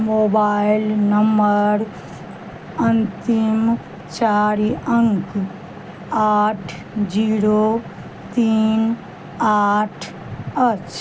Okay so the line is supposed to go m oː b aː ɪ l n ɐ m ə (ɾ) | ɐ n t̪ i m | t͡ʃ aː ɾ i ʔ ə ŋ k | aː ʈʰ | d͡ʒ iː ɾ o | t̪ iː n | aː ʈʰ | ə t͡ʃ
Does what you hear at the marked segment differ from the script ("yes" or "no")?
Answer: no